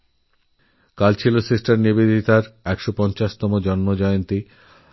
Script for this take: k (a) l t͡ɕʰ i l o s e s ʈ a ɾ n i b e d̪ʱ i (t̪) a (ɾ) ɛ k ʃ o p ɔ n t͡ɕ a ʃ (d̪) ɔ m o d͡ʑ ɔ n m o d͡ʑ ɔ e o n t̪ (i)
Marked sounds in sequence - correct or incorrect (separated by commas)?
correct, correct, correct, incorrect, correct